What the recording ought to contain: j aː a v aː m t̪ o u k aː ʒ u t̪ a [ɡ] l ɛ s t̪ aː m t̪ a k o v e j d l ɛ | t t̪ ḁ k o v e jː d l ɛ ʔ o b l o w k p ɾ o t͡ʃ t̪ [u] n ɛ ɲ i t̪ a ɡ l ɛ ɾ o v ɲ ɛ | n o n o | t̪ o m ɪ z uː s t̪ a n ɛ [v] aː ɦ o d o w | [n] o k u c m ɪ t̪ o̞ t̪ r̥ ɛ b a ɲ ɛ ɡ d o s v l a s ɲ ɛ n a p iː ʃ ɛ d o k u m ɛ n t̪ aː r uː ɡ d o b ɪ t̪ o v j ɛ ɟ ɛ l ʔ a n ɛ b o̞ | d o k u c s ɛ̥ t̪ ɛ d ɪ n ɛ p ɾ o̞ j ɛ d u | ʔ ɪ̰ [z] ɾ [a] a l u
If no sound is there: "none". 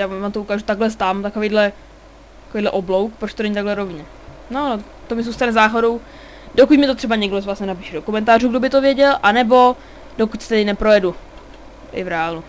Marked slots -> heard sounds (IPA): ɡ, o, z, d, v, ɛ

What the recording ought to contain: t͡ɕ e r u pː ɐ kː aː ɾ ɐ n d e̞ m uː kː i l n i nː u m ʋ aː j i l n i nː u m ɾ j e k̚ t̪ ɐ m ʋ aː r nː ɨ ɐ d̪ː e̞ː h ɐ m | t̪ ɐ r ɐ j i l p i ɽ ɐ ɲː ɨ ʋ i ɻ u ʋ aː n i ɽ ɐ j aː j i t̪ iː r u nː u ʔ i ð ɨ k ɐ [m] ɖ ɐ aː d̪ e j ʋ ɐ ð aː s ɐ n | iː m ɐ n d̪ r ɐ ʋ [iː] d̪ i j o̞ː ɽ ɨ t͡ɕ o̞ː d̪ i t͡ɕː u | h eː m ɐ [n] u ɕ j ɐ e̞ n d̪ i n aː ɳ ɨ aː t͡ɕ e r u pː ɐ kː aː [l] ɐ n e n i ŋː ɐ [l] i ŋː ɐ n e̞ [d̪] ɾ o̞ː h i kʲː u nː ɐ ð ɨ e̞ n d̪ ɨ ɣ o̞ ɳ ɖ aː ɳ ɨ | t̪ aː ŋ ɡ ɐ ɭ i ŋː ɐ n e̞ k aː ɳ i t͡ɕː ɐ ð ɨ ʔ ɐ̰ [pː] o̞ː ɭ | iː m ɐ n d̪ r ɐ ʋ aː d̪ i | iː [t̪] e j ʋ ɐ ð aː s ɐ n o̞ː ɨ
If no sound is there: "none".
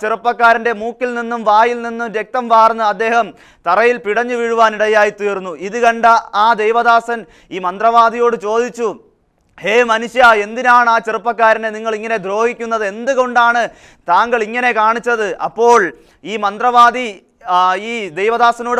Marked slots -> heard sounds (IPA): ɳ, aː, n, ɾ, ɭ, d̪, pː, d̪

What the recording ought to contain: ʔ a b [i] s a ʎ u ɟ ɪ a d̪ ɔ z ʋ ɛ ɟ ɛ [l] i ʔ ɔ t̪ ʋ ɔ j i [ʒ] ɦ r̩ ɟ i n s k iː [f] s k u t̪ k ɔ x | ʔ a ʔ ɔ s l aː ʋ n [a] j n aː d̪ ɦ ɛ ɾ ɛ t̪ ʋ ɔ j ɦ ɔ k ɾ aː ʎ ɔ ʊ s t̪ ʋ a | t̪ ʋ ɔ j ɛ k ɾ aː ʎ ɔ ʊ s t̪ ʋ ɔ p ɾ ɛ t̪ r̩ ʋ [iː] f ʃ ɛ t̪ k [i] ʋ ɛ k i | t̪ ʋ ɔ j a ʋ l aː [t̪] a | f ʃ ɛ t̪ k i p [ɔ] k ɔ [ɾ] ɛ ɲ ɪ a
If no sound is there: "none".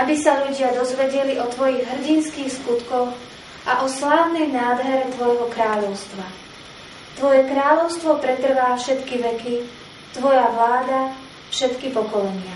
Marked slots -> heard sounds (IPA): i, l, ɣ, x, ɛ, aː, i, d̪, ɔ, l

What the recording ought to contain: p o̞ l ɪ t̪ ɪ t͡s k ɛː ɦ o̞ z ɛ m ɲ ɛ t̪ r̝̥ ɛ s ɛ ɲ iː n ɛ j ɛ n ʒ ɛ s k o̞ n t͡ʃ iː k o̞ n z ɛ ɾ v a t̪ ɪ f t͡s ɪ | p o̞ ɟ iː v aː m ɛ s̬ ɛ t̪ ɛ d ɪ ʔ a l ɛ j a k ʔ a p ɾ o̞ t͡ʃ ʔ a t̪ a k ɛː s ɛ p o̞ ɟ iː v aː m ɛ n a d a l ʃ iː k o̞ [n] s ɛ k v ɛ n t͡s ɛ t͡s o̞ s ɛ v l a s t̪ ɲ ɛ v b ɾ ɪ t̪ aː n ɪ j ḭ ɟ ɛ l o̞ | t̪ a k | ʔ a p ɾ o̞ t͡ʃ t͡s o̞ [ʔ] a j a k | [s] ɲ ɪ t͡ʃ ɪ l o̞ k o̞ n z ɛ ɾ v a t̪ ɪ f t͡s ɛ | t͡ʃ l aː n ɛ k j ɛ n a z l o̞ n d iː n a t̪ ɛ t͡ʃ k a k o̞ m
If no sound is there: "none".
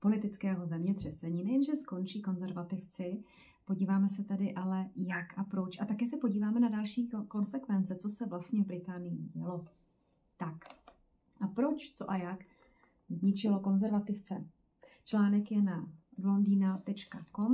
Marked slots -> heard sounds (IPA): n, ʔ, z

